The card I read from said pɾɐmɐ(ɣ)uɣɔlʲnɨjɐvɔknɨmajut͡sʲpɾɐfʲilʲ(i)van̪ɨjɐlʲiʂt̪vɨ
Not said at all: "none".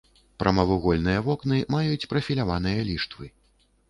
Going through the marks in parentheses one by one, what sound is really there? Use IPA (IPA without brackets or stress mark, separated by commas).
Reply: v, a